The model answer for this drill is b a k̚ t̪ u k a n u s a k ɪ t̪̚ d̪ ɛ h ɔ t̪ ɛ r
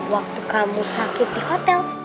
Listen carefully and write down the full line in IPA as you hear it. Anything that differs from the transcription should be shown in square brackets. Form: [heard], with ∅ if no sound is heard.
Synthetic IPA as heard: [w] a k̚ t̪ u k a [m] u s a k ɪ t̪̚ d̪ [i] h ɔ t̪ ɛ [l]